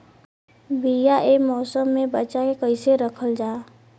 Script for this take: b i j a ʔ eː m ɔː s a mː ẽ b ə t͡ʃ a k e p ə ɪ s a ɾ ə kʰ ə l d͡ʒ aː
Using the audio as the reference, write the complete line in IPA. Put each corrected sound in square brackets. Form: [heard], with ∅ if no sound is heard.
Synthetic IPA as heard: b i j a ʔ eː m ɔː s [ə] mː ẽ b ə t͡ʃ a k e [k] ə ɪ s [e] ɾ ə kʰ ə l d͡ʒ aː